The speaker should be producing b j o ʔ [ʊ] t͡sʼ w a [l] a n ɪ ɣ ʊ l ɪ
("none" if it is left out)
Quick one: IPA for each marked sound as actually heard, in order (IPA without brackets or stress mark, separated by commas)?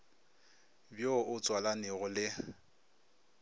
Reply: ʊ, l